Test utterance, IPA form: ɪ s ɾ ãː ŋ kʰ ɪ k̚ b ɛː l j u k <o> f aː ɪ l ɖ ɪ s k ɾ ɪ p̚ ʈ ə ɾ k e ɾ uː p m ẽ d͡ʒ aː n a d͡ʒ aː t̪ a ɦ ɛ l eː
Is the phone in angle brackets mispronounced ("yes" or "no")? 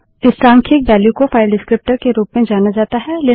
no